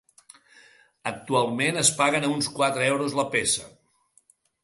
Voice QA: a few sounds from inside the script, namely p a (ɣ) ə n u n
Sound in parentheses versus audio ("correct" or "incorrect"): correct